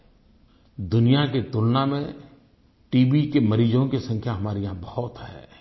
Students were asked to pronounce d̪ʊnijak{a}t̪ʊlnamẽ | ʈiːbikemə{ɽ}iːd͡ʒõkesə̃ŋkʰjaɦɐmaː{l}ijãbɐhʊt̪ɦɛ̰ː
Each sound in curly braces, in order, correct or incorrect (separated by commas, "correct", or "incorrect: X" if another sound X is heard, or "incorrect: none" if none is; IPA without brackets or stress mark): incorrect: e, incorrect: ɾ, incorrect: ɾ